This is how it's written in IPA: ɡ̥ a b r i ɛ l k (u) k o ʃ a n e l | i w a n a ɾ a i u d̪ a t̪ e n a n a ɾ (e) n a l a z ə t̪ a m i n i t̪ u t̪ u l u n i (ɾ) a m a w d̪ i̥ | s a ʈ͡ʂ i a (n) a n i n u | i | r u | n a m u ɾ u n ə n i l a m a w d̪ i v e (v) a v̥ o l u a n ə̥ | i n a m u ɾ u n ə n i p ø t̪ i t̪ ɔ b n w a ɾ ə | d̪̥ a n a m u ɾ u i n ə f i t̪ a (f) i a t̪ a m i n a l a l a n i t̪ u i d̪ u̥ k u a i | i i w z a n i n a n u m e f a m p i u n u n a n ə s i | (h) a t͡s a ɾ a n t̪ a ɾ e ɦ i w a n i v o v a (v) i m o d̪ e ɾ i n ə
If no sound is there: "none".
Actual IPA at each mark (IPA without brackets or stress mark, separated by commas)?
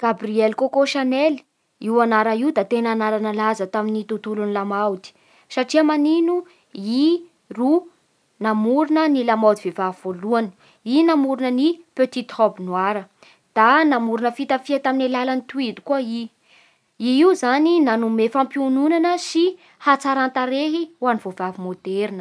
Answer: o, a, l, m, v, f, h, v